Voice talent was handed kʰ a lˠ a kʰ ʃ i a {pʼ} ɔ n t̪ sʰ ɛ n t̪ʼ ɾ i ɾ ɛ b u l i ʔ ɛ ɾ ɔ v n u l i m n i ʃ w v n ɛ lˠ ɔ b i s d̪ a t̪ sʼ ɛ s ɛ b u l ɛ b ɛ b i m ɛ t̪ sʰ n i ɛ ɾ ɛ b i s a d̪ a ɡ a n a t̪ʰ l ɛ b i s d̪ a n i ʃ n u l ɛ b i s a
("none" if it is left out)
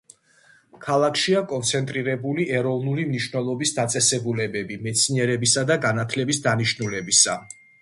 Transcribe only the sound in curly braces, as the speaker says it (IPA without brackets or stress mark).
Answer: kʼ